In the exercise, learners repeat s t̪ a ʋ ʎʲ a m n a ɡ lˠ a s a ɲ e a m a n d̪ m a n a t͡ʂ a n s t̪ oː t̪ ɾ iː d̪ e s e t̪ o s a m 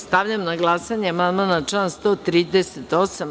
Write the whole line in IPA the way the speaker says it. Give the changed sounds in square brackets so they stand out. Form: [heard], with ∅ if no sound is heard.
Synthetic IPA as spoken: s t̪ a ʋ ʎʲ a m n a ɡ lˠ a s a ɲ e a m a n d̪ m a n a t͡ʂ a n s t̪ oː t̪ ɾ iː d̪ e s e t̪ o s a m